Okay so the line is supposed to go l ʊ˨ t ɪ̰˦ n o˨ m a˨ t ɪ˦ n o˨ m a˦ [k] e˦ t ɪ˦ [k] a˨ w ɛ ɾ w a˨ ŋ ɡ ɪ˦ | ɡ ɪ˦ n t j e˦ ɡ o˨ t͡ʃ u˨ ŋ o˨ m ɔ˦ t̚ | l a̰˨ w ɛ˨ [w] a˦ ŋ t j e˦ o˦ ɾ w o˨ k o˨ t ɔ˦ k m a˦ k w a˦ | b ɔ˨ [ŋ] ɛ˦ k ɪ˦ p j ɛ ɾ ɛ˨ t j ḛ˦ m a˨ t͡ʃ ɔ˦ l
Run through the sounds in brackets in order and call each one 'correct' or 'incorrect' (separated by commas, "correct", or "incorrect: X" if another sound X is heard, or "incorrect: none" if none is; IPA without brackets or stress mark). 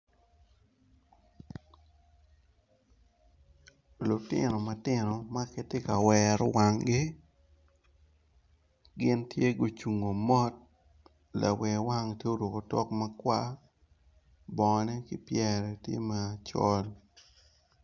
correct, correct, correct, incorrect: n